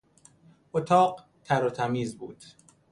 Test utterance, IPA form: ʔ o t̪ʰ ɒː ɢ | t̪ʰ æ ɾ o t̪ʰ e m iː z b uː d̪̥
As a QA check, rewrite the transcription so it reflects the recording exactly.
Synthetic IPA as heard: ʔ o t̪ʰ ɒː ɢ | t̪ʰ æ ɾ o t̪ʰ æ m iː z b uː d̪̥